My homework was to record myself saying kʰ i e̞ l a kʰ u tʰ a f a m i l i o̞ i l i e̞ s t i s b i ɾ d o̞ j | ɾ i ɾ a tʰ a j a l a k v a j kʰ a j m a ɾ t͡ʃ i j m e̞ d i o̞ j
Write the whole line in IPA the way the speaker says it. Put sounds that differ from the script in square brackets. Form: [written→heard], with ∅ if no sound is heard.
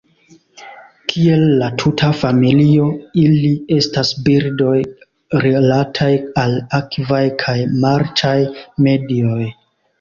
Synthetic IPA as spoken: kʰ i e̞ [l→lː] a [kʰ→tʰ] u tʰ a f a m i l i o̞ i l i e̞ s t [i→a] s b i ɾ d o̞ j | ɾ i [ɾ→l] a tʰ a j a l a k v a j kʰ a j m a ɾ t͡ʃ [i→a] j m e̞ d i o̞ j